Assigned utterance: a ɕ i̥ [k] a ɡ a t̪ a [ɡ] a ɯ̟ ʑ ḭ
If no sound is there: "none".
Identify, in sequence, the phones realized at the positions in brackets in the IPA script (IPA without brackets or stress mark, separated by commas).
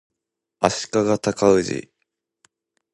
k, k